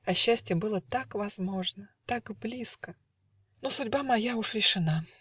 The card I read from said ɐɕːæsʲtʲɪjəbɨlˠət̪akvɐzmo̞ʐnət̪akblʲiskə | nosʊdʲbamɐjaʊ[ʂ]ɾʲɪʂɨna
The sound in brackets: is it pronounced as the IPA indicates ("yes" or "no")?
yes